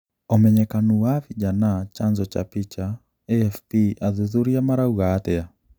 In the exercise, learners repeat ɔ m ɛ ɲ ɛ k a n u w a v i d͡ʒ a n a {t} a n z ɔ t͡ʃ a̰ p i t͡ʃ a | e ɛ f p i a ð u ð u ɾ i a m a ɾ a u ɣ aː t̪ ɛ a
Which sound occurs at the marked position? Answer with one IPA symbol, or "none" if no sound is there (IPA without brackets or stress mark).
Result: t͡ʃ